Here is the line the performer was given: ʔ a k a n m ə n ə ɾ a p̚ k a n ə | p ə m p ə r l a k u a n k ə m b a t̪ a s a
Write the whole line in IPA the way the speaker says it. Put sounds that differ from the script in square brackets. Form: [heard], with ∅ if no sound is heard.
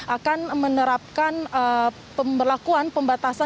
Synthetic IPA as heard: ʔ a k a n m ə n ə ɾ a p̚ k a n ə | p ə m [b] ə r l a k u a n [p] ə m b a t̪ a s a